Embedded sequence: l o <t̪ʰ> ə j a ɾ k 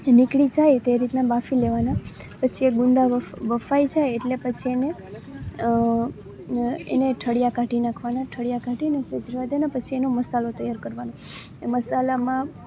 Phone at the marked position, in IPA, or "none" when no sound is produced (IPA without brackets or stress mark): t̪